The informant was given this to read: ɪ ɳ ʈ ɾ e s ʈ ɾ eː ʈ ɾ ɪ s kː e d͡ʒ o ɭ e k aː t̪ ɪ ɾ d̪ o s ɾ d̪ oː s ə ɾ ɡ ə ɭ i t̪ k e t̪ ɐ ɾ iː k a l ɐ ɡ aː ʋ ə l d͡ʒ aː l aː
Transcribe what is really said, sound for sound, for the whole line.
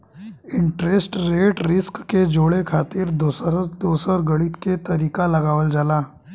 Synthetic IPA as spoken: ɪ ɳ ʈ ɾ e s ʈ ɾ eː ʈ ɾ ɪ s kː e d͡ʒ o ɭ e kʰ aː t̪ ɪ ɾ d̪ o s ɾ d̪ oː s ə ɾ ɡ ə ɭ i t̪ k e t̪ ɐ ɾ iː k a l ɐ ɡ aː ʋ ə l d͡ʒ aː l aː

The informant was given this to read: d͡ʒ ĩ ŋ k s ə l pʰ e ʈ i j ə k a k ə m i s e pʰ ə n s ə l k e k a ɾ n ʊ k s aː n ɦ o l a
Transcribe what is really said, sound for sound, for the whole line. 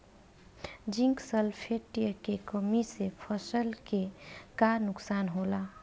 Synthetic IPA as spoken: d͡ʒ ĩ ŋ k s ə l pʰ e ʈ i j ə k e k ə m i s e pʰ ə s ə l k e k a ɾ n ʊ k s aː n ɦ o l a

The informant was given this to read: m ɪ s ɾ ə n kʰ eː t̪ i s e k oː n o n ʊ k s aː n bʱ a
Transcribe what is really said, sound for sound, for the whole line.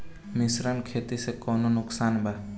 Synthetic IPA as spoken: m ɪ s ɾ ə n kʰ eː t̪ i s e k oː n o n ʊ k s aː n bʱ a

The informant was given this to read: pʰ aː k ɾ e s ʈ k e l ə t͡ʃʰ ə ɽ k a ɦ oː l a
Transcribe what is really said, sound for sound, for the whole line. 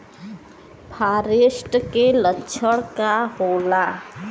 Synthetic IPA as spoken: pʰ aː ɾ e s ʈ k e l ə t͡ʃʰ ə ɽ k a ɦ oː l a

